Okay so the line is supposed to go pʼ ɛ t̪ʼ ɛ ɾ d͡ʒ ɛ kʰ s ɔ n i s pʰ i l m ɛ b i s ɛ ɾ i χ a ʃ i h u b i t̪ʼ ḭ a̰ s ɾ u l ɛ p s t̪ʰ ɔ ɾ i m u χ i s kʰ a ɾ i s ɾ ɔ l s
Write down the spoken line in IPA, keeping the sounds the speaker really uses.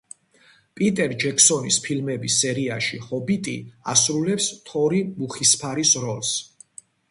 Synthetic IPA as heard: pʼ i t̪ʼ ɛ ɾ d͡ʒ ɛ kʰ s ɔ n i s pʰ i l m ɛ b i s ɛ ɾ i a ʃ i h ɔ b i t̪ʼ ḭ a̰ s ɾ u l ɛ p s t̪ʰ ɔ ɾ i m u χ i s pʰ a ɾ i s ɾ ɔ l s